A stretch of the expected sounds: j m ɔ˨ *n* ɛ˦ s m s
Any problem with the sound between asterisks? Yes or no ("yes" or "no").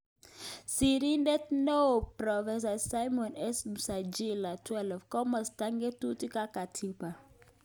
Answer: no